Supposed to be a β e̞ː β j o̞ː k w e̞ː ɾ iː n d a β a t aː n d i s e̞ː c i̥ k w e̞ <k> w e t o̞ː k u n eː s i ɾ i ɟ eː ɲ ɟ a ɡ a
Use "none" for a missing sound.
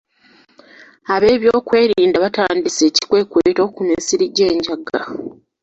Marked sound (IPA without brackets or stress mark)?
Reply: k